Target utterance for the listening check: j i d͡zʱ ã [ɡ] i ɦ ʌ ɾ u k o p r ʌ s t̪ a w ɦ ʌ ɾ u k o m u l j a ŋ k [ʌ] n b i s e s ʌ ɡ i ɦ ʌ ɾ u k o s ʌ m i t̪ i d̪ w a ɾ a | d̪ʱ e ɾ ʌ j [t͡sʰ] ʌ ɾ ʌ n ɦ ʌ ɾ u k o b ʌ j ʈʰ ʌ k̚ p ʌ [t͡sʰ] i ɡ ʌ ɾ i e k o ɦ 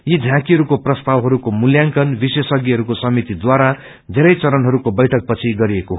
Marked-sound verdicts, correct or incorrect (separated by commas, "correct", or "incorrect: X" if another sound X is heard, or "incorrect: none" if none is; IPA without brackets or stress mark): incorrect: k, correct, incorrect: t͡s, correct